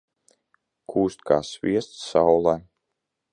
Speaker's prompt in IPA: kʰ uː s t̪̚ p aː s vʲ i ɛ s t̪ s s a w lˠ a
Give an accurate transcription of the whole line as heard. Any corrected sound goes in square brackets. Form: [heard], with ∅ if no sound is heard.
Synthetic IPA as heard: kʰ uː s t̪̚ [k] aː s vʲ i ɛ s t̪ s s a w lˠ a